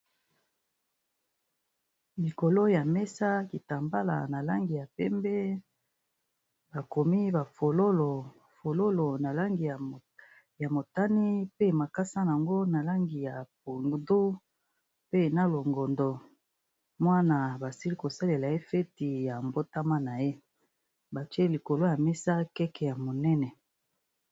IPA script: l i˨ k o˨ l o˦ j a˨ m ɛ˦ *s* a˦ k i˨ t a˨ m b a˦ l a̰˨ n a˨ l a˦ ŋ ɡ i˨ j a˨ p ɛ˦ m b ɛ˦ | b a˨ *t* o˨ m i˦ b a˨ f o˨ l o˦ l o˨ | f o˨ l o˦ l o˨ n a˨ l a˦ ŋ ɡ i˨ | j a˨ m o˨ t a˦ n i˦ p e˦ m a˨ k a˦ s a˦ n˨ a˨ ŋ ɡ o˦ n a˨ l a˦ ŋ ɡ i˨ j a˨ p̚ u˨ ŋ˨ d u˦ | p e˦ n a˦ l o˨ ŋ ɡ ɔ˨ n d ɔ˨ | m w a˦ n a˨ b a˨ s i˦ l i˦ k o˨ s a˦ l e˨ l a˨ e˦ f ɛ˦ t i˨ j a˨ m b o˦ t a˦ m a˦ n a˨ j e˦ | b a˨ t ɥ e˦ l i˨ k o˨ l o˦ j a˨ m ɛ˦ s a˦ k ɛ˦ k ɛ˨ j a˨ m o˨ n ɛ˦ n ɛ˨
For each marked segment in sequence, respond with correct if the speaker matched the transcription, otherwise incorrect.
correct, incorrect

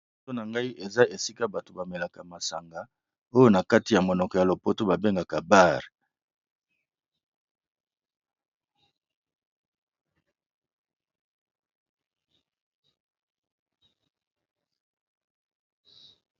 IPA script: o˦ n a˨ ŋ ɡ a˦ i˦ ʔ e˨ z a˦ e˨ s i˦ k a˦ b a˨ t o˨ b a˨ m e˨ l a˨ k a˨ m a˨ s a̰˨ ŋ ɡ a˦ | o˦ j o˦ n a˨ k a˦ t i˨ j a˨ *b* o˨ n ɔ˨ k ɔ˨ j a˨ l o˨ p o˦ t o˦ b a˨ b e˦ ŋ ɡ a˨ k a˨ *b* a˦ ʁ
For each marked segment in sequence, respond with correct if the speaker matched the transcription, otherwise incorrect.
incorrect, correct

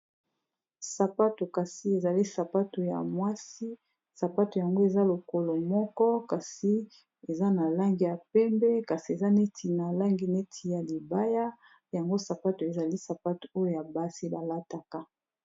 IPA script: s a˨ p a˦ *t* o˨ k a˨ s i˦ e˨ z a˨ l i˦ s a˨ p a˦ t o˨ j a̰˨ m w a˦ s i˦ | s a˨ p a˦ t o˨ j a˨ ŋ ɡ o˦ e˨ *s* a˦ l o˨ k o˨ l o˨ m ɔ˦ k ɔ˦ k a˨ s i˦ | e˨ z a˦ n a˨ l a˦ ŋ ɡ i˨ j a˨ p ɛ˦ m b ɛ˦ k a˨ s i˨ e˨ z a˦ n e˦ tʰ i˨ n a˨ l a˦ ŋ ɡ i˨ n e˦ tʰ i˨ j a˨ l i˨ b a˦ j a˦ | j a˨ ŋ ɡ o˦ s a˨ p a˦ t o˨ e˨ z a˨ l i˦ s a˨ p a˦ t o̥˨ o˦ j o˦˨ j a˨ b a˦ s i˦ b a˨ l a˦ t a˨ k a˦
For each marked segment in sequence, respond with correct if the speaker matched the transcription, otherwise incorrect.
correct, incorrect

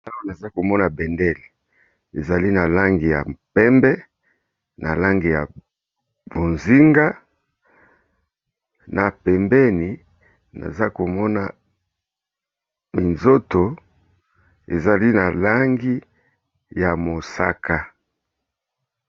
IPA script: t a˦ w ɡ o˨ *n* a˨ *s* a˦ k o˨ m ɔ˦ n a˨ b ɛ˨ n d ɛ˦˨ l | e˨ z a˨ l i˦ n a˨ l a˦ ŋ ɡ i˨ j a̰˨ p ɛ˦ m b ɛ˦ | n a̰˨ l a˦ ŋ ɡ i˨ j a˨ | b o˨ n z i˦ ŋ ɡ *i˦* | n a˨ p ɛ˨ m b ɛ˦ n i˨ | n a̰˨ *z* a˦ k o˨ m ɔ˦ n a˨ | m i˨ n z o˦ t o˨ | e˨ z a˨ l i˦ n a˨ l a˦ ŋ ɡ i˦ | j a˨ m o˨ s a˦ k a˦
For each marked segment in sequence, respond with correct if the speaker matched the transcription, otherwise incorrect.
correct, incorrect, incorrect, correct

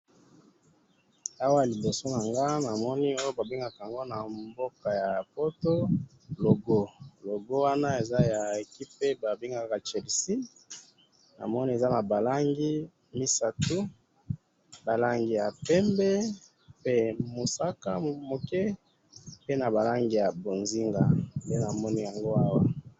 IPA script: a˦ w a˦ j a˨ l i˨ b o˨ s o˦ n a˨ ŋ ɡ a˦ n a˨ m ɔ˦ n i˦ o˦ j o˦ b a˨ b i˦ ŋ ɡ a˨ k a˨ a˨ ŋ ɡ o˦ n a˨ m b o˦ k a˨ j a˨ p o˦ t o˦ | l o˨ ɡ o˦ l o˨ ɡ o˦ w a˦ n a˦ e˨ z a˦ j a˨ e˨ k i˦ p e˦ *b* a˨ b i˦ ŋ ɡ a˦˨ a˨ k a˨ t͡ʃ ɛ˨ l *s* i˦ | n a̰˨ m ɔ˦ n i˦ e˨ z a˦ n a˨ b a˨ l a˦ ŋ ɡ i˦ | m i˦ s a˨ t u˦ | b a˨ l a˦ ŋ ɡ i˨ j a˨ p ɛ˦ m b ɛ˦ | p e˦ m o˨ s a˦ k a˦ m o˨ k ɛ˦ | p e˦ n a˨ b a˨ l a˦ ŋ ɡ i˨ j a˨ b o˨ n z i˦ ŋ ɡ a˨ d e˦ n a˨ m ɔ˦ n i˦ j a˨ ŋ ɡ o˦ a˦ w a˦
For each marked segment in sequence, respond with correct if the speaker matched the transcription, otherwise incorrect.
correct, correct

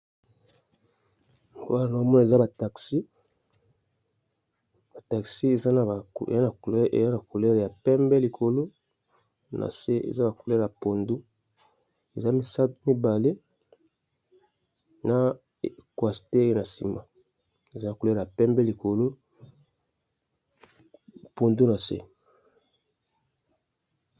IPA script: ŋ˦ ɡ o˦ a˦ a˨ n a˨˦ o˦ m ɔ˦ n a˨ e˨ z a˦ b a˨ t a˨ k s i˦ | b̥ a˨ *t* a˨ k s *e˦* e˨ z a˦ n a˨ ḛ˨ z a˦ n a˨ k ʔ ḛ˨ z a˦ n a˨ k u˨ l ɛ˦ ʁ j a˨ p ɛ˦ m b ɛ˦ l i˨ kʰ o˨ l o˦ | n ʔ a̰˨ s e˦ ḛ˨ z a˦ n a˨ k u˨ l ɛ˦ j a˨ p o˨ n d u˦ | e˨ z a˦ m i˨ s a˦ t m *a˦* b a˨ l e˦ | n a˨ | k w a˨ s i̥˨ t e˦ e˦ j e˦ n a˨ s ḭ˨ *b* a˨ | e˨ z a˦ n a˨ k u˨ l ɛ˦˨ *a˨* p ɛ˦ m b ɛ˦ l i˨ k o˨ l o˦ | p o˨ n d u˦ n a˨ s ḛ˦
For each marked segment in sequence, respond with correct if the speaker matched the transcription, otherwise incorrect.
correct, incorrect, incorrect, incorrect, correct

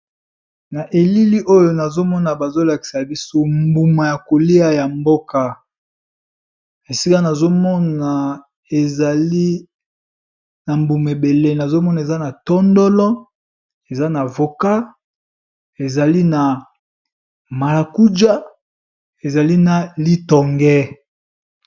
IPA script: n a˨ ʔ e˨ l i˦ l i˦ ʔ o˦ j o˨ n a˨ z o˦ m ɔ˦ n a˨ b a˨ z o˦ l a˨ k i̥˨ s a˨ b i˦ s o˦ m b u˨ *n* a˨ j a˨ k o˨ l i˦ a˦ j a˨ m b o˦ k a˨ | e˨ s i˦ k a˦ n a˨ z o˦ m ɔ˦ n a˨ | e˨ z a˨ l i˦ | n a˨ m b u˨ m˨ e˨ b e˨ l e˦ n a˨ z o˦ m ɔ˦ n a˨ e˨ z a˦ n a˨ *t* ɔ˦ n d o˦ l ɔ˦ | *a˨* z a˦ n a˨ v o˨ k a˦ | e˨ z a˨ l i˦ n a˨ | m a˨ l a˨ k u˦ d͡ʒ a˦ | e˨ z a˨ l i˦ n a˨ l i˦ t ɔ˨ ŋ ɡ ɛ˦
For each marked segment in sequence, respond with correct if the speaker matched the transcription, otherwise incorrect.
incorrect, correct, incorrect

